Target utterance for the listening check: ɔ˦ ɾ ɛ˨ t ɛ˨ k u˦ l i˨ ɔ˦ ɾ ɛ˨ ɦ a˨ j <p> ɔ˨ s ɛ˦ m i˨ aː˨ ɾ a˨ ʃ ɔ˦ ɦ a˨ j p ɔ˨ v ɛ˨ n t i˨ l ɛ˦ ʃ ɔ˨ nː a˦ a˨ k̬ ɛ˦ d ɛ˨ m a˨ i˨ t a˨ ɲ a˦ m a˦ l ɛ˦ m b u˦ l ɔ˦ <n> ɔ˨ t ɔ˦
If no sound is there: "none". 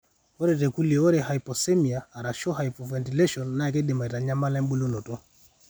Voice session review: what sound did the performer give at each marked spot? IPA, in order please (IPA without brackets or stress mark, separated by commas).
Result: p, n